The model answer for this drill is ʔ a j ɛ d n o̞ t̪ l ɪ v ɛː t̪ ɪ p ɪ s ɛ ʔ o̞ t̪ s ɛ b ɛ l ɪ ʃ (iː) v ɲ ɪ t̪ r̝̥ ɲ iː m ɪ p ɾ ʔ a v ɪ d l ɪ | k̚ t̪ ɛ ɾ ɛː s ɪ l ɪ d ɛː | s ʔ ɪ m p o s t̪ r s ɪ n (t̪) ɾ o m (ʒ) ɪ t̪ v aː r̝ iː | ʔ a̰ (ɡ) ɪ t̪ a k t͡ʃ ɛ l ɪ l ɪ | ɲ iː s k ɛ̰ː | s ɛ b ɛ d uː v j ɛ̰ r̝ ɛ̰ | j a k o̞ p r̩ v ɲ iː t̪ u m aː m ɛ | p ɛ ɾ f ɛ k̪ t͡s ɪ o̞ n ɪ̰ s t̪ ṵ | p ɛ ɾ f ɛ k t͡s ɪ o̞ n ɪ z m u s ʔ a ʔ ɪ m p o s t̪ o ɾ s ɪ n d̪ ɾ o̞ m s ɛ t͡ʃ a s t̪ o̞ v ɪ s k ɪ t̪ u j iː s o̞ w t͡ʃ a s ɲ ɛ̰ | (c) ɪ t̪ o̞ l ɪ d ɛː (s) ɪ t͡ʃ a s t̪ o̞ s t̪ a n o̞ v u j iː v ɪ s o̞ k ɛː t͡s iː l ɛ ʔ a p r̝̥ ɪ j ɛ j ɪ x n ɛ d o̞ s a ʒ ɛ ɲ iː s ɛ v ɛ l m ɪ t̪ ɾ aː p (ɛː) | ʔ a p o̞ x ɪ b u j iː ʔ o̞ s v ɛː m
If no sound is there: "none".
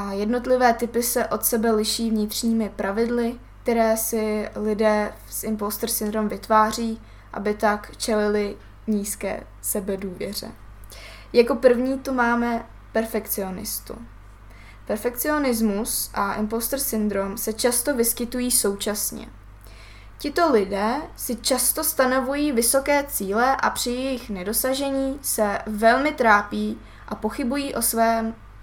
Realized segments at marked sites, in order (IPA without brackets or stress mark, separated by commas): iː, d̪, v, b, c, s, iː